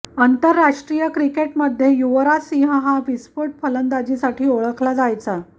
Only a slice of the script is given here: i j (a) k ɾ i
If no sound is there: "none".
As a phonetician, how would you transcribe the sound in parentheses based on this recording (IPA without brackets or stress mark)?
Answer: ə